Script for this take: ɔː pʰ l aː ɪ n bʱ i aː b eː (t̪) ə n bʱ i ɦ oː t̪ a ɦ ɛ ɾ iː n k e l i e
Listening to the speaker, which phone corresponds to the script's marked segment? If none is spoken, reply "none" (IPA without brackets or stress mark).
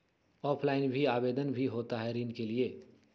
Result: d̪